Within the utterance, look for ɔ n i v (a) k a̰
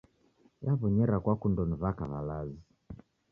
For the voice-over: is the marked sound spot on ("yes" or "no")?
yes